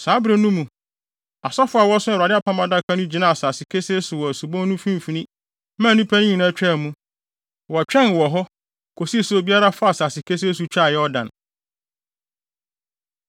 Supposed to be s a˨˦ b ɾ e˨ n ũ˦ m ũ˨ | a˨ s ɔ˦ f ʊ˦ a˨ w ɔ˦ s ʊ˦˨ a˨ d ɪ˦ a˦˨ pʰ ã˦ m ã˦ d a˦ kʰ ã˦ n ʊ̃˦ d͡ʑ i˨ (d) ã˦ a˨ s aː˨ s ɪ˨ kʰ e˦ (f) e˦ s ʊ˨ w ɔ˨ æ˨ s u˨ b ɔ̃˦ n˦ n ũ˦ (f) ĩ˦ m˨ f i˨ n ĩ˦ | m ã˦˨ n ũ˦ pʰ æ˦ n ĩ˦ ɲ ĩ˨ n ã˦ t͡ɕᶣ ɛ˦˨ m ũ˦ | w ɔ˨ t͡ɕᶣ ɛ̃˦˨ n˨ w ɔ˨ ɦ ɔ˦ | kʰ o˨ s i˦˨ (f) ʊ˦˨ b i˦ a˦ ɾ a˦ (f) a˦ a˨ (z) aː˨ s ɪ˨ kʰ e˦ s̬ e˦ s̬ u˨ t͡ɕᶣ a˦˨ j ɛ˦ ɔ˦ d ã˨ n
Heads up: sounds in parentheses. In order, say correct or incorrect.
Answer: incorrect: n, incorrect: s, correct, incorrect: s, correct, incorrect: s

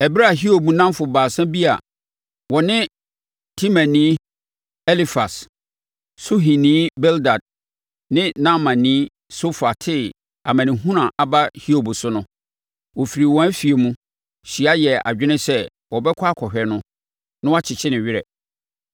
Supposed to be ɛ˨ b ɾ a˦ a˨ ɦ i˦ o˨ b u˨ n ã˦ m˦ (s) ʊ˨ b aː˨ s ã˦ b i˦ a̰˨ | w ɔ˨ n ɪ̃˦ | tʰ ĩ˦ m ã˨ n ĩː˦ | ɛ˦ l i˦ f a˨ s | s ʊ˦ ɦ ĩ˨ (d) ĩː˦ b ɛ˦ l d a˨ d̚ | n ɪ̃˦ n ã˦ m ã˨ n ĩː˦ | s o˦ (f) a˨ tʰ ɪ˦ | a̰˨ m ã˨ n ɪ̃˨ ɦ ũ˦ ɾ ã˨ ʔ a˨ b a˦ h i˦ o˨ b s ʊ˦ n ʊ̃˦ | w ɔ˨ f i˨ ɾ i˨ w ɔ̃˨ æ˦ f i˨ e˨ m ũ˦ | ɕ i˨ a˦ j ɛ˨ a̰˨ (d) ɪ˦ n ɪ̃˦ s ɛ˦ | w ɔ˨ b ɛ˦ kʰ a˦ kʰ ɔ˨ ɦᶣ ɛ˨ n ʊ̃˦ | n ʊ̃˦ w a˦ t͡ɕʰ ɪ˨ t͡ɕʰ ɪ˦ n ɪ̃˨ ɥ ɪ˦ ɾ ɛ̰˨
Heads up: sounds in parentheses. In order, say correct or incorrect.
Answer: incorrect: f, incorrect: n, correct, incorrect: d͡ʑᶣ

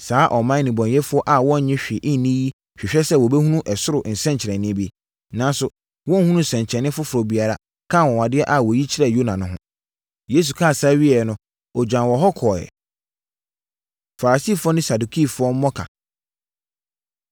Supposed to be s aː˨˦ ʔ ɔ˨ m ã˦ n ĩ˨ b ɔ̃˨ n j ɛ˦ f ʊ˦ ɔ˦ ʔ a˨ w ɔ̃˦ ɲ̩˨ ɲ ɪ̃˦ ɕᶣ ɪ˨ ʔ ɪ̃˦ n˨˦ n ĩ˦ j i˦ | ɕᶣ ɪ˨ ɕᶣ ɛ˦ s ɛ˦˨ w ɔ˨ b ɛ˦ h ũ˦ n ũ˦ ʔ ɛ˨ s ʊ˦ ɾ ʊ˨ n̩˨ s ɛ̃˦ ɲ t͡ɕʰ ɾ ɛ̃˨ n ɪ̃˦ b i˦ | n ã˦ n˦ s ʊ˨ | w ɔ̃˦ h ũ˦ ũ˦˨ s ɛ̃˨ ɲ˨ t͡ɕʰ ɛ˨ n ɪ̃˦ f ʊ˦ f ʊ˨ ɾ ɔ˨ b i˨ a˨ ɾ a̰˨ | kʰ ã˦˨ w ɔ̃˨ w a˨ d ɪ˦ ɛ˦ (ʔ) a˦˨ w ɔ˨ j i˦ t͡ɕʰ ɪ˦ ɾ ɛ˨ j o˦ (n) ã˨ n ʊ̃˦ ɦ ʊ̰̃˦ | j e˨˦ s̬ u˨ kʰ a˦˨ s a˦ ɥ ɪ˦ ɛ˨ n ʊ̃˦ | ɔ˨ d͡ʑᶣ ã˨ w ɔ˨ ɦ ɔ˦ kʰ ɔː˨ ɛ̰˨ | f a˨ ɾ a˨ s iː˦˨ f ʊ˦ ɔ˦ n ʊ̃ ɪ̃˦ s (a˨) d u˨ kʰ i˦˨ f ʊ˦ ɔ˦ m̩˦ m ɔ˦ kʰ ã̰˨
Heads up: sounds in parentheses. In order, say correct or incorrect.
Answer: correct, correct, correct

